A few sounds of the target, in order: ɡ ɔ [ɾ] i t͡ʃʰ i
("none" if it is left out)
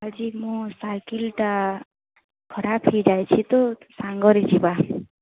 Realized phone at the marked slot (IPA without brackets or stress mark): ɾ